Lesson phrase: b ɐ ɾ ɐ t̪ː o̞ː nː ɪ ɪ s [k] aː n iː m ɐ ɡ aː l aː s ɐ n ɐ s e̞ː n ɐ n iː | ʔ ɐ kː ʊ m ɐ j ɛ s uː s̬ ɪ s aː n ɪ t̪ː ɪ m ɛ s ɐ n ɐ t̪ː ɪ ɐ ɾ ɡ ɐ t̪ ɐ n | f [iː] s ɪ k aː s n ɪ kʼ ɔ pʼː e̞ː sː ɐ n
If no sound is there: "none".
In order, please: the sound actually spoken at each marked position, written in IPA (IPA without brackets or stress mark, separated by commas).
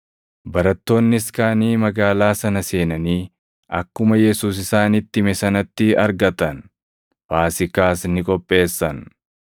k, aː